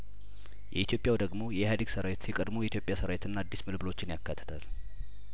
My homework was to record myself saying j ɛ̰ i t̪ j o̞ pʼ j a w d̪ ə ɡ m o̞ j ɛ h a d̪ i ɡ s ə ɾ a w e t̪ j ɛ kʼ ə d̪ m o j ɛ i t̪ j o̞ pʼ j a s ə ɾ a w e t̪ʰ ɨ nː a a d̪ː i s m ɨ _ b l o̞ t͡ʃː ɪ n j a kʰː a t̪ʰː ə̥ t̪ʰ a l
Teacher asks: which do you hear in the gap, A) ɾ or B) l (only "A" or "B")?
B